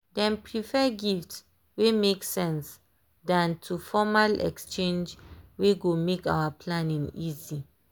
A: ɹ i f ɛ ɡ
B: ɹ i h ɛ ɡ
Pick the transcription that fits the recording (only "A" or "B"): A